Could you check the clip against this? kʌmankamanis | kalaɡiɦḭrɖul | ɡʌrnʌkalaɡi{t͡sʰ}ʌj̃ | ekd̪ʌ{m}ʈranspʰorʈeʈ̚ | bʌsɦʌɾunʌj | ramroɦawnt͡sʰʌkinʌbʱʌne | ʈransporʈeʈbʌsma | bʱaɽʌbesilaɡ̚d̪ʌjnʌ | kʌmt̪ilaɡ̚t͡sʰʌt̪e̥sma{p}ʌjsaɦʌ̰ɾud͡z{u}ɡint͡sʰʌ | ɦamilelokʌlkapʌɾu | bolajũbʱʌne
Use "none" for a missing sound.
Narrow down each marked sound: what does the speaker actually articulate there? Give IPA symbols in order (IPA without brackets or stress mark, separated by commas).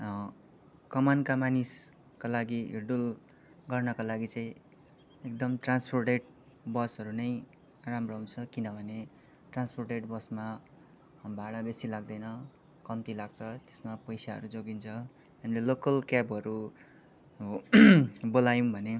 t͡s, m, p, o